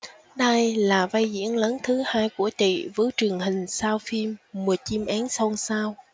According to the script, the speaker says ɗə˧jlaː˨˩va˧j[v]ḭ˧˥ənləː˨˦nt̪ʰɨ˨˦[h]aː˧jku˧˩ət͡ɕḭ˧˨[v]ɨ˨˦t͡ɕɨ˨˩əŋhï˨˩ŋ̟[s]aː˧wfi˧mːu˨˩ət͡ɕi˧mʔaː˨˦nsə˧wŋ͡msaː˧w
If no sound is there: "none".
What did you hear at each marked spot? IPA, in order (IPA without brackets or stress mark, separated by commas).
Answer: z, h, v, s